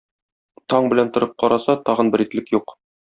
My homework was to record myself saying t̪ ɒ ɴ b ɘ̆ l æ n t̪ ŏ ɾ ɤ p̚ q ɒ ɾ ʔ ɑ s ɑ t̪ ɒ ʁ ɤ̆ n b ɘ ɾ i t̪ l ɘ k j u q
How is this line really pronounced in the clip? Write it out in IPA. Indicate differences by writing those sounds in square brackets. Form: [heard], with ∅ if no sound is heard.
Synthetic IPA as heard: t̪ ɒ ɴ b ɘ̆ l æ n t̪ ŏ ɾ ɤ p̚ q ɒ ɾ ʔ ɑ s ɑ t̪ ɒ ʁ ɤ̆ n b ɘ ɾ i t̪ l ɘ k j u q

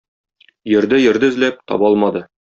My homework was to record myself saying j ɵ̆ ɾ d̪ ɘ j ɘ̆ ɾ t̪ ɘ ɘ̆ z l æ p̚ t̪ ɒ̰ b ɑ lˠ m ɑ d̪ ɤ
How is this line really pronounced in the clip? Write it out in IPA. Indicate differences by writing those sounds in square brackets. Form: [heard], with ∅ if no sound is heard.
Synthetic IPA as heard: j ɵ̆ ɾ d̪ ɘ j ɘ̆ ɾ [d̪] ɘ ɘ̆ z l æ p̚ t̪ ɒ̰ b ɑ lˠ m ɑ d̪ ɤ

